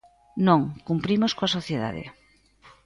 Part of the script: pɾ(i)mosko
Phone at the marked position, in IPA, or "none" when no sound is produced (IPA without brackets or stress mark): i